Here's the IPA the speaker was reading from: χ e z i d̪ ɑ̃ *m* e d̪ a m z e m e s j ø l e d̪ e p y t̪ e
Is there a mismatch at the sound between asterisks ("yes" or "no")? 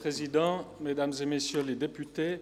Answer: no